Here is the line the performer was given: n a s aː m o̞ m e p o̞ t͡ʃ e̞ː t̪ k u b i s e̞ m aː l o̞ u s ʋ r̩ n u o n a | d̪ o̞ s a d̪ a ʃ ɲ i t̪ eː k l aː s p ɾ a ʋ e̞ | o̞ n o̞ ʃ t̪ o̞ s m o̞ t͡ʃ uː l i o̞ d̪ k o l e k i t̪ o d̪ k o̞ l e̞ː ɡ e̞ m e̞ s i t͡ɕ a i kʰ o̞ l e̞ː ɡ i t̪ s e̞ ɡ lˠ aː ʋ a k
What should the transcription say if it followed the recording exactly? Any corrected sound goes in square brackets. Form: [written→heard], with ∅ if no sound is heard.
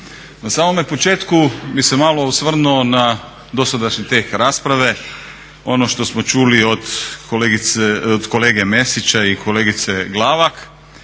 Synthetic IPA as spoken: n a s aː m o̞ m e p o̞ t͡ʃ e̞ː t̪ k u b i s e̞ m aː l o̞ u s ʋ r̩ n u o n a | d̪ o̞ s a d̪ a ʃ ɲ i t̪ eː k [l→ɾ] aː s p ɾ a ʋ e̞ | o̞ n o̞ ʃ t̪ o̞ s m o̞ t͡ʃ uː l i o̞ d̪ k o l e [k→ɡ] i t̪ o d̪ k o̞ l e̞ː ɡ e̞ m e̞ s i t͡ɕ a i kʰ o̞ l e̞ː ɡ i t̪ s e̞ ɡ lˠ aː ʋ a k